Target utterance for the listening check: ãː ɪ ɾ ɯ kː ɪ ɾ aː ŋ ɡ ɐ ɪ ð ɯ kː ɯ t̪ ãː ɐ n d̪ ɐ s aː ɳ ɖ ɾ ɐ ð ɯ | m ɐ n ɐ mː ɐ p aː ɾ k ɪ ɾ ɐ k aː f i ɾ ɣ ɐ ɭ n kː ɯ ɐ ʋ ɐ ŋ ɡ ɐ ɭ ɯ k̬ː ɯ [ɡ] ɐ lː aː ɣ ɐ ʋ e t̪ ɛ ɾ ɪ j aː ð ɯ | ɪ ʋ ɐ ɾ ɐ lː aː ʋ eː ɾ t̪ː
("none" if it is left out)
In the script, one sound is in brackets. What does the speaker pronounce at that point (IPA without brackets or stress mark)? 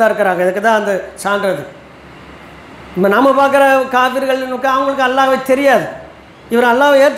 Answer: none